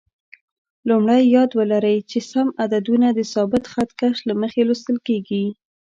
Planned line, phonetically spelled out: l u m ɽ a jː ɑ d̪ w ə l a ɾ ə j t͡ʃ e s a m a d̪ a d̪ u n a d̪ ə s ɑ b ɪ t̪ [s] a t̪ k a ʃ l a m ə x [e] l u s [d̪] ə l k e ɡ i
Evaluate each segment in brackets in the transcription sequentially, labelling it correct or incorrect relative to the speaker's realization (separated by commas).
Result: incorrect, correct, incorrect